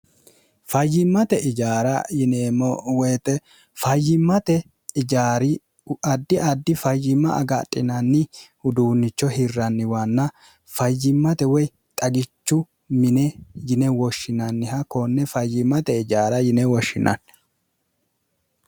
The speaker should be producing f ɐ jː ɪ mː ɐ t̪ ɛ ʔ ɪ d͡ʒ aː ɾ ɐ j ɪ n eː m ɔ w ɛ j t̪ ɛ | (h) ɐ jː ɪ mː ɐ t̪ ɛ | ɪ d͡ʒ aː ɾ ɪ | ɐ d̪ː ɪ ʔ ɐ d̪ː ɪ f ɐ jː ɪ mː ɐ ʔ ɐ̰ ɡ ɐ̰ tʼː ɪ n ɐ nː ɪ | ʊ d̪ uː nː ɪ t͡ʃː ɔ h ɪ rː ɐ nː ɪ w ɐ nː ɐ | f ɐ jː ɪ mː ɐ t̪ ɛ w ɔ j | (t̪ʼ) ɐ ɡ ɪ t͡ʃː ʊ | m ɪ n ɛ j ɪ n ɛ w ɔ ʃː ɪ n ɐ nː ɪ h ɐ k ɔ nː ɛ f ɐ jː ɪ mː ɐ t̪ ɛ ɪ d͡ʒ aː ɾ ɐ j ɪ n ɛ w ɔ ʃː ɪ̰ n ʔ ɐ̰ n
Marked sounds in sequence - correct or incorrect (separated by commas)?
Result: incorrect, correct